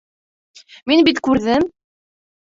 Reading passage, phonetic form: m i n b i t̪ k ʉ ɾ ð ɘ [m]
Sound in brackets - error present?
no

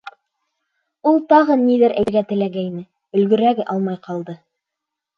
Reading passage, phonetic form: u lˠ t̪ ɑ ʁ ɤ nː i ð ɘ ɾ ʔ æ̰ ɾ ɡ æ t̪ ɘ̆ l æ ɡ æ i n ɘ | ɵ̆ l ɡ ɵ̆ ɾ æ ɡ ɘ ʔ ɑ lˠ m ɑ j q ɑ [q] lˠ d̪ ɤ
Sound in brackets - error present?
yes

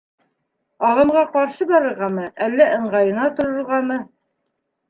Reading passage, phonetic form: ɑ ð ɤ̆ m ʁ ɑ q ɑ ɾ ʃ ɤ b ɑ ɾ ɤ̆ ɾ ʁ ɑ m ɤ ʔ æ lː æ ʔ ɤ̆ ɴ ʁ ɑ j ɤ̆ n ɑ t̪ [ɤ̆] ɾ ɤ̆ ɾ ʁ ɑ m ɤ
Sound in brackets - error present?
yes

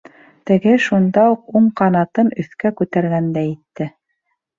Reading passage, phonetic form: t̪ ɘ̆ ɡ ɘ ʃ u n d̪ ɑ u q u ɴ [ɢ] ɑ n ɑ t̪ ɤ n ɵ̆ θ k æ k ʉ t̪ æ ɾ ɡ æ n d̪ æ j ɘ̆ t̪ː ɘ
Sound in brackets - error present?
yes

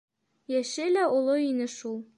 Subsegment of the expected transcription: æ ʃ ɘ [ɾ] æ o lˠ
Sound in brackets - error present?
yes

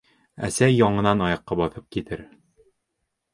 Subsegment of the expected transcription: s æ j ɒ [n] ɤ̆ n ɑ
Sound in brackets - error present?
yes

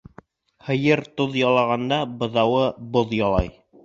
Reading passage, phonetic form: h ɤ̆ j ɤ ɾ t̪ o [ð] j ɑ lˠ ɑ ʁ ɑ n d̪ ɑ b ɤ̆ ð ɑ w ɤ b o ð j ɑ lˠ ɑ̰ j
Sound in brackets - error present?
no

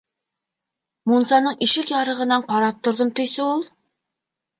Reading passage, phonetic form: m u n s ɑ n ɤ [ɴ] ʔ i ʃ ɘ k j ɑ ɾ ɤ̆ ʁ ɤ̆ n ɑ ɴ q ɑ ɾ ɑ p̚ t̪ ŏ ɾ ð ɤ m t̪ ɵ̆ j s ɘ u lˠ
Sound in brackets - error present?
no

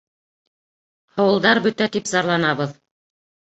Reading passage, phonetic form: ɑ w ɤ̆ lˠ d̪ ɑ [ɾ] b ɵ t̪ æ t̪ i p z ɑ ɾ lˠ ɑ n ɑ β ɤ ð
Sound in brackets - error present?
no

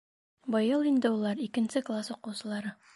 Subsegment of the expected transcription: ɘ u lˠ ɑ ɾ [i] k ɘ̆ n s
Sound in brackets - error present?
no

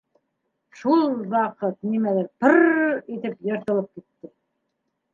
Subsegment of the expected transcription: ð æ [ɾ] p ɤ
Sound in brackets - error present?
no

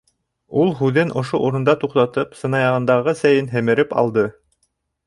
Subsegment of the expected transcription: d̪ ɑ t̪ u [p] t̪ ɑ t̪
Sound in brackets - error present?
yes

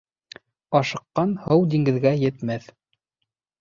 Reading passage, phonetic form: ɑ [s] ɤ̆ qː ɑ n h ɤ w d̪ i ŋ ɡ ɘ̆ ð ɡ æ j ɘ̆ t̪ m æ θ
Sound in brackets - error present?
yes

